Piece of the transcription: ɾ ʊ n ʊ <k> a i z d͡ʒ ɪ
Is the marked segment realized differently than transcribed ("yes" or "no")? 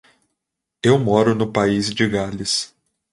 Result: yes